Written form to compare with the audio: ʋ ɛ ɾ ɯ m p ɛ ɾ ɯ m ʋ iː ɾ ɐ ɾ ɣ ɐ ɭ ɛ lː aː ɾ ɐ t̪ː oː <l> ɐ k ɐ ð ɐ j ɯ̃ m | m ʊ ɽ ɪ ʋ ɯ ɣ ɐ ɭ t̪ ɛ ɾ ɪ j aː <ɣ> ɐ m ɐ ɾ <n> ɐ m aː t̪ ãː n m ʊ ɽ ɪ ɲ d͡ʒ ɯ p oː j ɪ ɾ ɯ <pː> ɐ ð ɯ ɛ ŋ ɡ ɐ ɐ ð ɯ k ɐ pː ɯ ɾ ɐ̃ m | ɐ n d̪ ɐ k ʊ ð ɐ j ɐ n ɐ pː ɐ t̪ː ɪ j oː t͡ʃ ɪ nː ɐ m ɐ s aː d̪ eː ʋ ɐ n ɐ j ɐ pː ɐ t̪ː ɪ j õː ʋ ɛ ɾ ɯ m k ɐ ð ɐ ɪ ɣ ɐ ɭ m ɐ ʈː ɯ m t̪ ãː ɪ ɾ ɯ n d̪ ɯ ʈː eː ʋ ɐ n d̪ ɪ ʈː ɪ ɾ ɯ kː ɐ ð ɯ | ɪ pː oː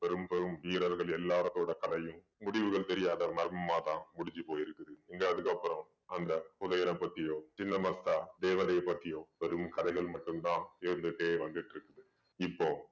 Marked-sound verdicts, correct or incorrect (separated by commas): incorrect, incorrect, incorrect, incorrect